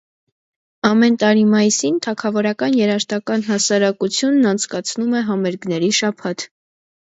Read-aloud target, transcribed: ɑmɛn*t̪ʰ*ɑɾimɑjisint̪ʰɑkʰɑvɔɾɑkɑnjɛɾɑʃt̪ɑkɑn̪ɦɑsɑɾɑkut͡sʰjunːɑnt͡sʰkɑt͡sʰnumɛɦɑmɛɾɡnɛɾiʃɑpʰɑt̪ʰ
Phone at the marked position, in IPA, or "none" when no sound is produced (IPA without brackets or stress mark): t̪